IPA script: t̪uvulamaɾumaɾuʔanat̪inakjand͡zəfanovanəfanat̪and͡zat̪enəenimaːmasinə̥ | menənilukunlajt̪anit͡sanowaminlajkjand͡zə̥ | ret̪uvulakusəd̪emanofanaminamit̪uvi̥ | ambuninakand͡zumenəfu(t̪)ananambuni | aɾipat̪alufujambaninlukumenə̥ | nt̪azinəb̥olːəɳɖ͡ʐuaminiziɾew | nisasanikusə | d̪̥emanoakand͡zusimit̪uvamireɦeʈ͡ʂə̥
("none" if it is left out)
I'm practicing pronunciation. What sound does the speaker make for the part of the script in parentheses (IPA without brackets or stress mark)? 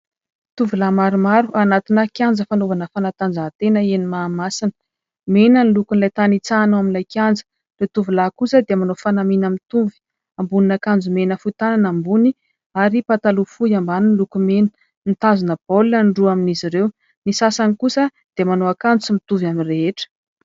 t̪